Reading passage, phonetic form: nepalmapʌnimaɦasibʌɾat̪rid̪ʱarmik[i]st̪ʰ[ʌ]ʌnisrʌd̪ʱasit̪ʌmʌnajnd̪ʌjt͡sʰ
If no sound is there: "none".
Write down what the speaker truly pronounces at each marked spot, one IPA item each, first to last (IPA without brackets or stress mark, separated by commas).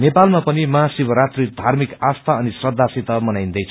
a, a